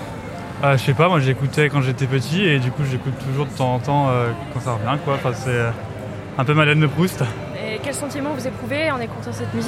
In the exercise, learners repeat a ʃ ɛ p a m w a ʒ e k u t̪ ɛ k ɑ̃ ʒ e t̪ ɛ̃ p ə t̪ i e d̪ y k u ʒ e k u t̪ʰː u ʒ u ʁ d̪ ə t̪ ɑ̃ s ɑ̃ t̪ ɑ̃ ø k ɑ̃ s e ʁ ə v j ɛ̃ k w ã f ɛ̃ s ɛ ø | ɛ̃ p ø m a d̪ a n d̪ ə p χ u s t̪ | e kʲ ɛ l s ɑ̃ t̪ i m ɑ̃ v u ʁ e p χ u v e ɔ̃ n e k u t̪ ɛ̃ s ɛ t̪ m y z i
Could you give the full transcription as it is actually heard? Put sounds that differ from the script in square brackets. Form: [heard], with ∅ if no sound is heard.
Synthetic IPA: a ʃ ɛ p a m w a ʒ e k u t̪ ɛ k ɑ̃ ʒ e t̪ [ɛ] p ə t̪ i e d̪ y k u ʒ e k u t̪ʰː u ʒ u ʁ d̪ ə t̪ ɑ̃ [z] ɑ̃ t̪ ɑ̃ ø k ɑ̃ s [a] ʁ ə v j ɛ̃ k w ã f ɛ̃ s ɛ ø | ɛ̃ p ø m a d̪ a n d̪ ə p χ u s t̪ | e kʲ ɛ l s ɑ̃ t̪ i m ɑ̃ v u [z] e p χ u v e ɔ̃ n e k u t̪ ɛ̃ s ɛ t̪ m y z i